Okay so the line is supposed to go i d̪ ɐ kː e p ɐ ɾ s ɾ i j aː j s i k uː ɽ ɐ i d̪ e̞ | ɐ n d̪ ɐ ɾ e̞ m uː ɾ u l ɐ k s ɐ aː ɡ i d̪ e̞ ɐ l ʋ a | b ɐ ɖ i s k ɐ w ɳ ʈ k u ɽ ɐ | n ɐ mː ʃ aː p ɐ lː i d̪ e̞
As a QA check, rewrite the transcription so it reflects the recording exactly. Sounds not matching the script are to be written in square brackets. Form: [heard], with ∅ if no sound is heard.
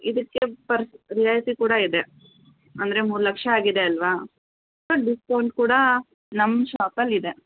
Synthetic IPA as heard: i d̪ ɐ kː e p ɐ ɾ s ɾ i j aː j s i k uː ɽ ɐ i d̪ e̞ | ɐ n d̪ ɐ ɾ e̞ m uː ɾ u l ɐ k [ʂ] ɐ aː ɡ i d̪ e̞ ɐ l ʋ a | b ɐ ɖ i s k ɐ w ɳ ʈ k [uː] ɽ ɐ | n ɐ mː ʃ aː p ɐ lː i d̪ e̞

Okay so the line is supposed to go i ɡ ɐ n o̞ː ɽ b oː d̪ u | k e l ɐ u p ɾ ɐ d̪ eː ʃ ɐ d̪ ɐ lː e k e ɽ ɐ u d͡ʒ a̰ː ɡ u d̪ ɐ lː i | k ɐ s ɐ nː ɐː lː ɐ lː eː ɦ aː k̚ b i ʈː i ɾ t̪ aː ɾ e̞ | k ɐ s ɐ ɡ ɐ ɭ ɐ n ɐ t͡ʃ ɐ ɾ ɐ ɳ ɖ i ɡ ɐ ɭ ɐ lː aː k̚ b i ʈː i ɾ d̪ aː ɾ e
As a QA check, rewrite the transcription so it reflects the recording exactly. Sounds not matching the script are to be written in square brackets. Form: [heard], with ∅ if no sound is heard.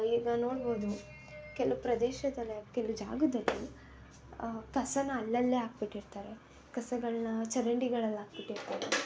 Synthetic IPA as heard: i ɡ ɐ n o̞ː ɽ b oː d̪ u | k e l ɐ u p ɾ ɐ d̪ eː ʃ ɐ d̪ ɐ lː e k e [l] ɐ u d͡ʒ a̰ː ɡ u d̪ ɐ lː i | k ɐ s ɐ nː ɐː lː ɐ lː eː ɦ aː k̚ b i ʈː i ɾ t̪ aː ɾ e̞ | k ɐ s ɐ ɡ ɐ ɭ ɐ n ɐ t͡ʃ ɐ ɾ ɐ ɳ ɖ i ɡ ɐ ɭ ɐ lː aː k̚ b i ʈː i ɾ [t̪] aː ɾ e

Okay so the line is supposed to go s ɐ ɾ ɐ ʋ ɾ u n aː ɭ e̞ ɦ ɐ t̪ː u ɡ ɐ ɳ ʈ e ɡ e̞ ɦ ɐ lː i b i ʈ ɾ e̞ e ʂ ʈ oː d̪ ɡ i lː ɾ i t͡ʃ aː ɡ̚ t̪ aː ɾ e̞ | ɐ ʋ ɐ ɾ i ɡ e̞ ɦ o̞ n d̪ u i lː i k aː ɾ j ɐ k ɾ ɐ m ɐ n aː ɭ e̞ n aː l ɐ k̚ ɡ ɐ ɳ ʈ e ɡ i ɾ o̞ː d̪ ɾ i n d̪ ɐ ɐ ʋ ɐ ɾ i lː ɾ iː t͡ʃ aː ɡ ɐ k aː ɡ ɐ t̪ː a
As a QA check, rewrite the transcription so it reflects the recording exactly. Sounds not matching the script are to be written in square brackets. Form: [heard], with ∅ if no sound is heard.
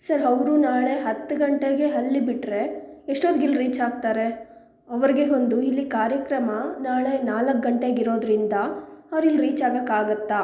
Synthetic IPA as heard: s ɐ ɾ ɐ ʋ ɾ u n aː ɭ e̞ ɦ ɐ t̪ː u ɡ ɐ ɳ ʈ e ɡ e̞ ɦ ɐ lː i b i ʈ ɾ e̞ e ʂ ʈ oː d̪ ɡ i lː ɾ [iː] t͡ʃ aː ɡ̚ t̪ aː ɾ e̞ | ɐ ʋ ɐ ɾ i ɡ e̞ ɦ o̞ n d̪ u i lː i k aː ɾ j ɐ k ɾ ɐ m ɐ n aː ɭ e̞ n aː l ɐ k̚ ɡ ɐ ɳ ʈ e ɡ i ɾ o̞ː d̪ ɾ i n d̪ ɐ ɐ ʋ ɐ ɾ i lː ɾ iː t͡ʃ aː ɡ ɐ k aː ɡ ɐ t̪ː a

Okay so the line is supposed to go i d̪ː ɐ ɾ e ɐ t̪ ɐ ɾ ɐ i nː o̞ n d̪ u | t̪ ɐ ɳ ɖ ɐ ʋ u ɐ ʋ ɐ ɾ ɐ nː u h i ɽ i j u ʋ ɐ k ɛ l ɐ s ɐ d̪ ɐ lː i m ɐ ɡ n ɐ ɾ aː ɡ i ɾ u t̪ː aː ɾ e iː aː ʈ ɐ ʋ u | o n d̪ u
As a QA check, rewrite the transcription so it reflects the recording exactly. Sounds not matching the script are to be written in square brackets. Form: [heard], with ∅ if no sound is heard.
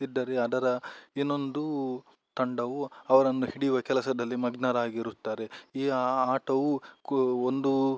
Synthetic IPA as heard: i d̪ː ɐ ɾ e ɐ [d̪] ɐ ɾ ɐ i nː o̞ n d̪ u | t̪ ɐ ɳ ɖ ɐ ʋ u ɐ ʋ ɐ ɾ ɐ nː u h i ɽ i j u ʋ ɐ k ɛ l ɐ s ɐ d̪ ɐ lː i m ɐ ɡ n ɐ ɾ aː ɡ i ɾ u t̪ː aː ɾ e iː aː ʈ ɐ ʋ u | o n d̪ u

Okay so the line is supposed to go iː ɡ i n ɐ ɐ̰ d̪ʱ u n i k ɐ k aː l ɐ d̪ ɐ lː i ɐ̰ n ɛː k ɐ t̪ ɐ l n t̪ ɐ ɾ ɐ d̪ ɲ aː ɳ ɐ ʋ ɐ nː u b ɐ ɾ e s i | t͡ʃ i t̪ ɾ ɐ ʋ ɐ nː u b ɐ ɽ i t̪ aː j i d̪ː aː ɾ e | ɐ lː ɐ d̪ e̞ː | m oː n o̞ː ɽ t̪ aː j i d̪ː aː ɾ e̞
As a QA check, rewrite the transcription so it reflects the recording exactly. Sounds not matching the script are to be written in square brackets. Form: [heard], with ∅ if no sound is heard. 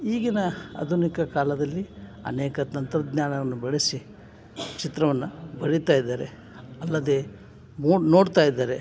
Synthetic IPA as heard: iː ɡ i n ɐ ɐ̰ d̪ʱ u n i k ɐ k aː l ɐ d̪ ɐ lː i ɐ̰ n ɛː k ɐ t̪ ɐ [∅] n t̪ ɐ ɾ ɐ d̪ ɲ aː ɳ ɐ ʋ ɐ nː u b ɐ [ɭ] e s i | t͡ʃ i t̪ ɾ ɐ ʋ ɐ nː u b ɐ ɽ i t̪ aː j i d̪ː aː ɾ e | ɐ lː ɐ d̪ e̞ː | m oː n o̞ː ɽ t̪ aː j i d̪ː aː ɾ e̞

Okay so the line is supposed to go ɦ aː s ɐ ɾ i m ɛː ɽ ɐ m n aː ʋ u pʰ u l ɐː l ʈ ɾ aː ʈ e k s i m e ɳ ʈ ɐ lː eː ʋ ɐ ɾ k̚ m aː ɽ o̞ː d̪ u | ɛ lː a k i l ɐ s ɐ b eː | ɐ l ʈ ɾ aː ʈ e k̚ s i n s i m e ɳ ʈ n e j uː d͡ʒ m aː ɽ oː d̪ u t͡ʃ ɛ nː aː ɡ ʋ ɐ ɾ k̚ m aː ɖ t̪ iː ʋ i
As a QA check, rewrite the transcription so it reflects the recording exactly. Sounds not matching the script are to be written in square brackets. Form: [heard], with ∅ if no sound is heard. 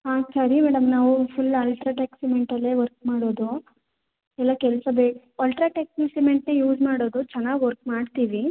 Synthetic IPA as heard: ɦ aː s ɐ ɾ i m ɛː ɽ ɐ m n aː ʋ u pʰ u l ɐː l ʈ ɾ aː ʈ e k s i m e ɳ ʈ ɐ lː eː ʋ ɐ ɾ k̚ m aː ɽ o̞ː d̪ u | ɛ lː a k [ɛ] l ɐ s ɐ b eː | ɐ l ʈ ɾ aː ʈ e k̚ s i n s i m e ɳ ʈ n e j uː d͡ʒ m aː ɽ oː d̪ u t͡ʃ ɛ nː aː ɡ ʋ ɐ ɾ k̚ m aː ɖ t̪ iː ʋ i

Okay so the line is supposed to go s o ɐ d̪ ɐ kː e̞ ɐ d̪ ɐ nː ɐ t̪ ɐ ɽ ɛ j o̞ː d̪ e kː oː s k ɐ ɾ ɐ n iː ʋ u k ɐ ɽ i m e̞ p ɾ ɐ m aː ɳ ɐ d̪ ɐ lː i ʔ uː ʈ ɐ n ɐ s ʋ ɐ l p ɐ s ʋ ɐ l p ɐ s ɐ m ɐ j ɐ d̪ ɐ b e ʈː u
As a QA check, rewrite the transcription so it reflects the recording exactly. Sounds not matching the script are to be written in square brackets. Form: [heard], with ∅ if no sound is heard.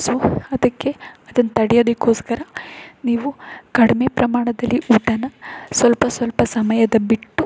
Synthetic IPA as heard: s o ɐ d̪ ɐ kː e̞ ɐ d̪ ɐ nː ɐ t̪ ɐ ɽ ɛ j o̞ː d̪ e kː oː s k ɐ ɾ ɐ n iː ʋ u k ɐ ɽ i m e̞ p ɾ ɐ m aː ɳ ɐ d̪ ɐ lː i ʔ uː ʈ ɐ n ɐ s ʋ ɐ l p ɐ s ʋ ɐ l p ɐ s ɐ m ɐ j ɐ d̪ ɐ b [i] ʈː u

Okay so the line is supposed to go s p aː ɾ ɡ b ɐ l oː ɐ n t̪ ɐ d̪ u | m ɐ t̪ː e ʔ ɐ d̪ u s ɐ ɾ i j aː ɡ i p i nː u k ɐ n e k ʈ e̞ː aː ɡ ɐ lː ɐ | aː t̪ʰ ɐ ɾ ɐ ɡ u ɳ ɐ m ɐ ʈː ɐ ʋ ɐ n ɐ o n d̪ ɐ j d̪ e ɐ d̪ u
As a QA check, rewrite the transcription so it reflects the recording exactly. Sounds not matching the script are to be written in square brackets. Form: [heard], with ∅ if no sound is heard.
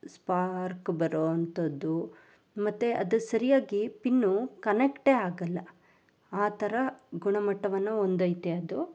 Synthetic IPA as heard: s p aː ɾ [k] b ɐ [ɾ] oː ɐ n t̪ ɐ d̪ u | m ɐ t̪ː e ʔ ɐ d̪ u s ɐ ɾ i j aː ɡ i p i nː u k ɐ n e k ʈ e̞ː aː ɡ ɐ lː ɐ | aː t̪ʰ ɐ ɾ ɐ ɡ u ɳ ɐ m ɐ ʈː ɐ ʋ ɐ [nː] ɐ o n d̪ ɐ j [t̪] e ɐ d̪ u

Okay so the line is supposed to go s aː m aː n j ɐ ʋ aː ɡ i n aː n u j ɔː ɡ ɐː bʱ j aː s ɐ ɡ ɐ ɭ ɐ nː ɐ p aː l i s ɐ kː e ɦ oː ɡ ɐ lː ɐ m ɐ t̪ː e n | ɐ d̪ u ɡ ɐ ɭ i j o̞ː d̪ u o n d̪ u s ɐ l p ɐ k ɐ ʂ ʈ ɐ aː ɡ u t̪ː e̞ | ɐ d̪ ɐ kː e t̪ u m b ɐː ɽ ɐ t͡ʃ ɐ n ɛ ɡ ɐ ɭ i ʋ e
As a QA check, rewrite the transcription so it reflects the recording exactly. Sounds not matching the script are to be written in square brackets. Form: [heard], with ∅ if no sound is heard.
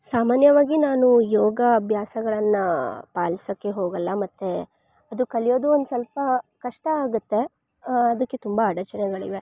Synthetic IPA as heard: s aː m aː n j ɐ ʋ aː ɡ i n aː n u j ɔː ɡ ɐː bʱ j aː s ɐ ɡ ɐ ɭ ɐ nː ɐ p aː l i s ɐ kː e ɦ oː ɡ ɐ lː ɐ m ɐ t̪ː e [∅] | ɐ d̪ u [k] ɐ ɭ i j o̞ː d̪ u o n d̪ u s ɐ l p ɐ k ɐ ʂ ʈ ɐ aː ɡ u t̪ː e̞ | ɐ d̪ ɐ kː e t̪ u m b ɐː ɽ ɐ t͡ʃ ɐ n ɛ ɡ ɐ ɭ i ʋ e

